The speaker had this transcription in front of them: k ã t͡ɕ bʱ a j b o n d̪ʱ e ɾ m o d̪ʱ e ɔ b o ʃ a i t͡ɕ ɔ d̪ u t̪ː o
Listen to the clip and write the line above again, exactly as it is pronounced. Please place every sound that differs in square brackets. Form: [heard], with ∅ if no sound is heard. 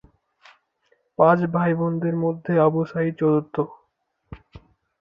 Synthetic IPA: [p] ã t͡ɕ bʱ a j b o n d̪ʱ e ɾ m o [d̪ʱː] e ɔ b o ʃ a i t͡ɕ ɔ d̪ [o] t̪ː o